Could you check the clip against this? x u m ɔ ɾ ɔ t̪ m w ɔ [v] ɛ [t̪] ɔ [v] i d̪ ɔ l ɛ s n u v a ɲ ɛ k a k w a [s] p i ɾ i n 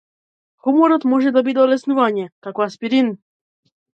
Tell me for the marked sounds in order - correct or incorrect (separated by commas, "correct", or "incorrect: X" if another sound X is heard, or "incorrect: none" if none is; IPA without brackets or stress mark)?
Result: incorrect: ʒ, incorrect: d̪, incorrect: b, correct